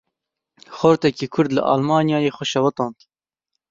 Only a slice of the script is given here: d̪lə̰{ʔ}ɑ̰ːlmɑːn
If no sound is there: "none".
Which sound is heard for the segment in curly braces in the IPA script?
ʔ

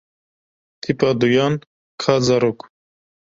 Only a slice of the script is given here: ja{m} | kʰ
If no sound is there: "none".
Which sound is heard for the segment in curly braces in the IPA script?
n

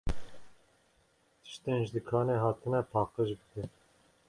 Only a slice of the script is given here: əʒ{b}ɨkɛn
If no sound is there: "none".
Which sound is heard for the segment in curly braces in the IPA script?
b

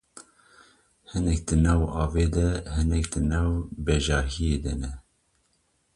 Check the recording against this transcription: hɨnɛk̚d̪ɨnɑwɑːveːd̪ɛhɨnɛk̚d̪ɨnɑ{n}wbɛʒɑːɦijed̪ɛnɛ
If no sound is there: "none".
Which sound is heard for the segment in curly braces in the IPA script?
none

